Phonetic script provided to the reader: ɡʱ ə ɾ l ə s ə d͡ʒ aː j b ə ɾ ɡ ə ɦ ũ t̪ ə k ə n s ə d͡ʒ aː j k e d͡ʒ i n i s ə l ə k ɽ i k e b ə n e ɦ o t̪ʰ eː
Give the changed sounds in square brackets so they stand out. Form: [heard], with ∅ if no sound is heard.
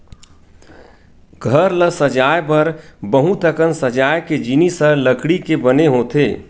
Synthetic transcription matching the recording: ɡʱ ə ɾ l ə s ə d͡ʒ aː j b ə ɾ [b] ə ɦ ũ t̪ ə k ə n s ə d͡ʒ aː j k e d͡ʒ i n i s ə l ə k ɽ i k e b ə n e ɦ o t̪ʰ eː

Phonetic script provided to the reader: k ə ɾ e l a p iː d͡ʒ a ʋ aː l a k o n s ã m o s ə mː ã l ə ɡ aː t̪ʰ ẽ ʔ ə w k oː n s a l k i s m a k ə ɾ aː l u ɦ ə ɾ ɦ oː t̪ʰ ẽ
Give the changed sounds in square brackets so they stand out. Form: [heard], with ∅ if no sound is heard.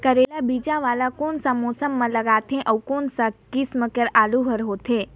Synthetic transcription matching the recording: k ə ɾ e l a [b] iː d͡ʒ a ʋ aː l a k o n s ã m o s ə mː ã l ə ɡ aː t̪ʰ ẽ ʔ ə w k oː n s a [∅] k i s m [ə] k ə ɾ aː l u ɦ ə ɾ ɦ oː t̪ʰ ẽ

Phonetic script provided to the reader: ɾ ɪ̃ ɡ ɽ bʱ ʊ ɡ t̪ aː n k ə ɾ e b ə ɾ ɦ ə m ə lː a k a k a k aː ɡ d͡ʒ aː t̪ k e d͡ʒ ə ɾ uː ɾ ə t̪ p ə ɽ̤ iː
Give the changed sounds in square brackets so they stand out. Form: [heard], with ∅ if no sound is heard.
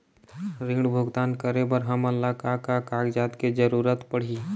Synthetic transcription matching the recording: ɾ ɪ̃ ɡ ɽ bʱ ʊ ɡ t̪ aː n k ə ɾ e b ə ɾ ɦ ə m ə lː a k a k a k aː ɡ d͡ʒ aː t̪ k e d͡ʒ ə ɾ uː ɾ ə t̪ p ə ɽ̤ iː

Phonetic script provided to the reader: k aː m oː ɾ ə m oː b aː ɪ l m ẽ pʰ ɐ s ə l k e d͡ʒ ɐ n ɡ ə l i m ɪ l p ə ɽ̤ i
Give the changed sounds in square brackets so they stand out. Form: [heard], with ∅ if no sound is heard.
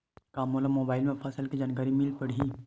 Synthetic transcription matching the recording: k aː m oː [l] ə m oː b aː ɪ l m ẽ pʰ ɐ s ə l k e d͡ʒ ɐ n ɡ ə [ɾ] i m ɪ l p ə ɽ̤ i

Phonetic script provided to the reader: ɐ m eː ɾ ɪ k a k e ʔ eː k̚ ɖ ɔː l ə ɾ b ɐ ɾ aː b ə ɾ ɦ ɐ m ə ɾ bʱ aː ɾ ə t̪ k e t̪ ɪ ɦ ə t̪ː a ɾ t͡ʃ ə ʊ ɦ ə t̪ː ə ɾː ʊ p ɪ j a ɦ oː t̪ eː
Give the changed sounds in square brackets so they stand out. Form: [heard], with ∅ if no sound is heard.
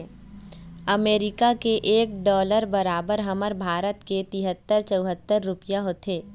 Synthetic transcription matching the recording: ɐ m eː ɾ ɪ k a k e ʔ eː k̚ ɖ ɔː l ə ɾ b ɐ ɾ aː b ə ɾ ɦ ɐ m ə ɾ bʱ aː ɾ ə t̪ k e t̪ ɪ ɦ ə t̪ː [ə] ɾ t͡ʃ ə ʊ ɦ ə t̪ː ə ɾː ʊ p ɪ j a ɦ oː t̪ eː

